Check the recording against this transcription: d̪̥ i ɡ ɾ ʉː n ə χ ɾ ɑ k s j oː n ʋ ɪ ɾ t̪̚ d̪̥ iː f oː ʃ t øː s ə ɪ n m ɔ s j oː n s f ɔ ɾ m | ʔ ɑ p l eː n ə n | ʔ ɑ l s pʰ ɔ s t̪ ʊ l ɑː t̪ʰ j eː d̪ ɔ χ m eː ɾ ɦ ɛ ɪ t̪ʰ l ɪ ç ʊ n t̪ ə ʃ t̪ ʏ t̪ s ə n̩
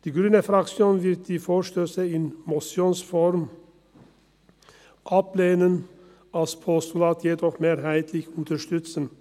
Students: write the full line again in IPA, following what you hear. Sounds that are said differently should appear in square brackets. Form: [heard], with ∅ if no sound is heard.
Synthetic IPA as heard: d̪̥ [iː] ɡ ɾ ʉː n ə [f] ɾ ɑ k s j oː n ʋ ɪ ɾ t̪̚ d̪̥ iː f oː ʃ t øː s ə ɪ n m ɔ s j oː n s f ɔ ɾ m | ʔ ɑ p l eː n ə n | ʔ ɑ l s pʰ ɔ s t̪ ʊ l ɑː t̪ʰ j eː d̪ ɔ χ m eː ɾ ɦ [æ] ɪ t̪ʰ l ɪ ç ʊ n t̪ ə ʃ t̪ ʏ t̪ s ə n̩